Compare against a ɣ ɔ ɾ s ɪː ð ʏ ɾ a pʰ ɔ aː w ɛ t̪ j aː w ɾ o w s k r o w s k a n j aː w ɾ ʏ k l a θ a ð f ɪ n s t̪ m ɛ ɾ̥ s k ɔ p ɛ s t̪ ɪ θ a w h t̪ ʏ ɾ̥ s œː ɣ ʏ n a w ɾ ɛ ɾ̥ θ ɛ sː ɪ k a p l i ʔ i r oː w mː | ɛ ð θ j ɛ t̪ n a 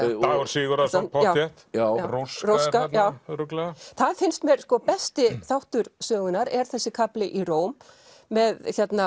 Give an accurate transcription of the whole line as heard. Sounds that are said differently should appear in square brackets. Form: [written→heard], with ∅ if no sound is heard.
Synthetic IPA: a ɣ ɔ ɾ s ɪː [ð→ɣ] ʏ ɾ a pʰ ɔ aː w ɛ t̪ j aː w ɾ o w s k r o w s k a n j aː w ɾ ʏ k l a θ a ð f ɪ n s t̪ m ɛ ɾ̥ s k ɔ p ɛ s t̪ ɪ θ a w h t̪ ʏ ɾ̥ s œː ɣ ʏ n a [w→∅] ɾ ɛ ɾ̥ θ ɛ sː ɪ [k→kʰ] a p l [i→ɪ] ʔ i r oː w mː | ɛ ð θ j ɛ t̪ n a